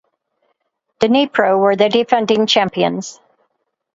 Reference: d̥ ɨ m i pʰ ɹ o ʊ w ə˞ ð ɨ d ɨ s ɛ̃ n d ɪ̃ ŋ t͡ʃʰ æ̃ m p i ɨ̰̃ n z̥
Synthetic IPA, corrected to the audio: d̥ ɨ n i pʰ ɹ o ʊ w ə˞ ð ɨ d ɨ f ɛ̃ n d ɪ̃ ŋ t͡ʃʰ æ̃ m p i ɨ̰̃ n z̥